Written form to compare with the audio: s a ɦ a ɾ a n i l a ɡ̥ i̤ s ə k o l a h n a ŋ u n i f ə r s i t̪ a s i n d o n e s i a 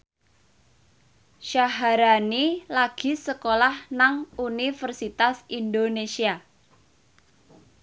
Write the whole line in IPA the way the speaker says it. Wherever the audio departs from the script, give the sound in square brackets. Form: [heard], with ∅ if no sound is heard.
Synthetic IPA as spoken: [ʃ] a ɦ a ɾ a n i l a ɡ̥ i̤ s ə k o l a h n a ŋ u n i f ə r s i t̪ a s i n d o n e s i a